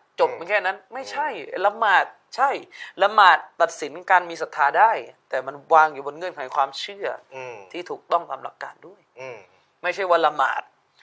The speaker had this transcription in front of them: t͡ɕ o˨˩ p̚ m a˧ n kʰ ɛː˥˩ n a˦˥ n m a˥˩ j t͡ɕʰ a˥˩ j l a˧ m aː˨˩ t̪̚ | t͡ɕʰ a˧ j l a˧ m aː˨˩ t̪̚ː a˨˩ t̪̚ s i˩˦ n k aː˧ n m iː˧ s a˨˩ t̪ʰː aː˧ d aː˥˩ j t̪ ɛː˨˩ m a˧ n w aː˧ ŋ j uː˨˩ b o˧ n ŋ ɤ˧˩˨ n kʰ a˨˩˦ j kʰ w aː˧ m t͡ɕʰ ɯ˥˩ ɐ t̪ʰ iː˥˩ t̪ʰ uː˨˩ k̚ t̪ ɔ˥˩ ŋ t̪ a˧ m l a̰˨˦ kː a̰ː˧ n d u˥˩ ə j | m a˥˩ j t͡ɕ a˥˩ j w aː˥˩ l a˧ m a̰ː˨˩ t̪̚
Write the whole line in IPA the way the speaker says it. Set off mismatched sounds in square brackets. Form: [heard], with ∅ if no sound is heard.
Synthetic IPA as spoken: t͡ɕ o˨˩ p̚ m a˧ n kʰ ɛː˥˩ n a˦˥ n m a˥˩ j t͡ɕʰ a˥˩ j l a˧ m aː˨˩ t̪̚ | t͡ɕʰ [a˥˩] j l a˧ m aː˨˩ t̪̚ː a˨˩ t̪̚ s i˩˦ n k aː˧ n m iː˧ s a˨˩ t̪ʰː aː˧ d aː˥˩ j t̪ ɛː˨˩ m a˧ n w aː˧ ŋ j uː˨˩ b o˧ n ŋ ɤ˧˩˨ n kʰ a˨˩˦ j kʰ w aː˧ m t͡ɕʰ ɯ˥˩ ɐ t̪ʰ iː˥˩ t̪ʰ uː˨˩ k̚ t̪ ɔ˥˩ ŋ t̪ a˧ m l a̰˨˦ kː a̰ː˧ n d u˥˩ ə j | m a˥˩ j [t͡ɕʰ] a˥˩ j w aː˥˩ l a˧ m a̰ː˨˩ t̪̚